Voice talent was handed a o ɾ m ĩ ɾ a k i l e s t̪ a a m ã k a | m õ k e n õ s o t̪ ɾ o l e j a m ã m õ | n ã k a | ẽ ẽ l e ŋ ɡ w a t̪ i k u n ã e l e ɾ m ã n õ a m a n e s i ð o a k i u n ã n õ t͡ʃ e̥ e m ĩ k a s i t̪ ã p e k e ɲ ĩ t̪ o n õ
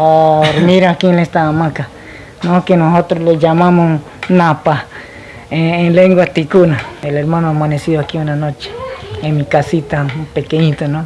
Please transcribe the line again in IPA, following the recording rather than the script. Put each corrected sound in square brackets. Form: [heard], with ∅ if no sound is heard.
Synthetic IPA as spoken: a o ɾ m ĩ ɾ a k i l e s t̪ a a m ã k a | [n] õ k e n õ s o t̪ ɾ o l e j a m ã m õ | n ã [p] a | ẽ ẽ l e ŋ ɡ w a t̪ i k u n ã e l e ɾ m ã n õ a m a n e s i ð o a k i u n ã n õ t͡ʃ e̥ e m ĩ k a s i t̪ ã p e k e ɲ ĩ t̪ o n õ

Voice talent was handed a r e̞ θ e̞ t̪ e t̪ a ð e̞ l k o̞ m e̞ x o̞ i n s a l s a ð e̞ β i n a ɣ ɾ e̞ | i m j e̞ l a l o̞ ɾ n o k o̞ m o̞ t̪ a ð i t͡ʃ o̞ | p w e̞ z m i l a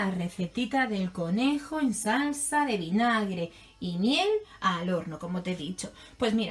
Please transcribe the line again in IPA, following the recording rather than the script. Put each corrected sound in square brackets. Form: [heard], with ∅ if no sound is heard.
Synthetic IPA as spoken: a r e̞ θ e̞ t̪ [i] t̪ a ð e̞ l k o̞ [n] e̞ x o̞ [e] n s a l s a ð e̞ β i n a ɣ ɾ e̞ | i m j e̞ l a l o̞ ɾ n o k o̞ m o̞ t̪ [e] ð i t͡ʃ o̞ | p w e̞ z m i [ɾ] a

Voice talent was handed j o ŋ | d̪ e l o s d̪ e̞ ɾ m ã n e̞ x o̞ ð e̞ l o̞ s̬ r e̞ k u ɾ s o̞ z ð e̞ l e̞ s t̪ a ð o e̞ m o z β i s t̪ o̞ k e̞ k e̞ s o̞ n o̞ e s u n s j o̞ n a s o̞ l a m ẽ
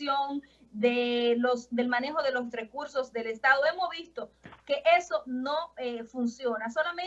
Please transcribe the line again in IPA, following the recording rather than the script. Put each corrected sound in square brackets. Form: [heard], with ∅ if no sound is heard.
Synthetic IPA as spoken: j o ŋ | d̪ e l o s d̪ e̞ [l] m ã n e̞ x o̞ ð e̞ l o̞ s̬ r e̞ k u ɾ s o̞ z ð e̞ l e̞ s t̪ a ð o e̞ m o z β i s t̪ o̞ k e̞ [ʔ] e̞ s o̞ n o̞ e [f] u n s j o̞ n a s o̞ l a m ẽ

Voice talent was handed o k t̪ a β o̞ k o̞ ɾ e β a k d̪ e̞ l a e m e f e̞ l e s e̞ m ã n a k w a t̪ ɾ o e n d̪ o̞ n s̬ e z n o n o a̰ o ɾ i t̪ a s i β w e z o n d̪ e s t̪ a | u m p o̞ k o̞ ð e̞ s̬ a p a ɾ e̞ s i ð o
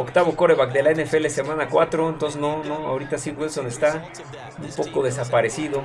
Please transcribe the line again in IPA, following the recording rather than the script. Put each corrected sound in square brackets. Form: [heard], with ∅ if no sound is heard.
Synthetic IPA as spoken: o k t̪ a β o̞ k o̞ ɾ e β a k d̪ e̞ l a e [n] e f e̞ l e s e̞ m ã n a k w a t̪ ɾ o e n [t̪] o̞ n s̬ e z n o n o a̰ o ɾ i t̪ a s i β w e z o n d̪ e s t̪ a | u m p o̞ k o̞ ð e̞ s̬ a p a ɾ e̞ s i ð o

